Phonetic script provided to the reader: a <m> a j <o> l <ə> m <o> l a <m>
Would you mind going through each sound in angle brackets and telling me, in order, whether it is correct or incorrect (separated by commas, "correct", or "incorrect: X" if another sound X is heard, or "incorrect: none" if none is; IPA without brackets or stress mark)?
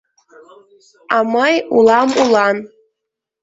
correct, incorrect: u, incorrect: a, incorrect: u, incorrect: n